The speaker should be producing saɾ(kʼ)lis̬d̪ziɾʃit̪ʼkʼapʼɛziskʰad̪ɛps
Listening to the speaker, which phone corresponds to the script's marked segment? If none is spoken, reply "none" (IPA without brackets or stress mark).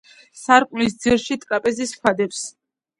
kʼ